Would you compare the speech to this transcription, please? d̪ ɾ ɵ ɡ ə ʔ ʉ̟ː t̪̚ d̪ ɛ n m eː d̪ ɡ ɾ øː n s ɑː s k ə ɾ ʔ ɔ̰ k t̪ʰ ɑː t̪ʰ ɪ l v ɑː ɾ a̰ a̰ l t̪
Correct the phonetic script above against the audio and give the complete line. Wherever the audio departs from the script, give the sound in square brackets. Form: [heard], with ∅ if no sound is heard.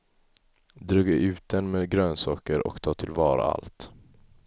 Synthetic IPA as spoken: d̪ ɾ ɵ ɡ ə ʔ ʉ̟ː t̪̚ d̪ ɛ n m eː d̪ ɡ ɾ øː n s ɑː [∅] k ə ɾ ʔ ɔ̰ k t̪ʰ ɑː t̪ʰ ɪ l v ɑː ɾ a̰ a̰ l t̪